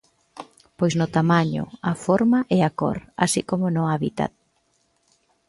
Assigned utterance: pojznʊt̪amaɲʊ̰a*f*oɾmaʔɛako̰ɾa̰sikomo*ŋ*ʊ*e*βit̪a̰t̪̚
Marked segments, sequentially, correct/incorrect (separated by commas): correct, incorrect, incorrect